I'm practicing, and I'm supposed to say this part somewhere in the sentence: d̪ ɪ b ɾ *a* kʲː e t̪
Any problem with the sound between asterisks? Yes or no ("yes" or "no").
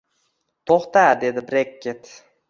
yes